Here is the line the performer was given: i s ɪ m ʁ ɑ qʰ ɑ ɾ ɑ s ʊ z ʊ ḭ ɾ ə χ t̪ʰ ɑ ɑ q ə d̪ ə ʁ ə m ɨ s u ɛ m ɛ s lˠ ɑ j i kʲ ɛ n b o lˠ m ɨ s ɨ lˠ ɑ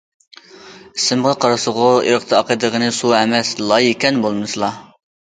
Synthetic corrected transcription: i s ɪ m ʁ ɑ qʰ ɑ ɾ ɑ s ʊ ʁ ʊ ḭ ɾ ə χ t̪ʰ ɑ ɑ q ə d̪ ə ʁ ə n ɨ s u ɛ m ɛ s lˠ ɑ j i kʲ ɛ n b o lˠ m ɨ s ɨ lˠ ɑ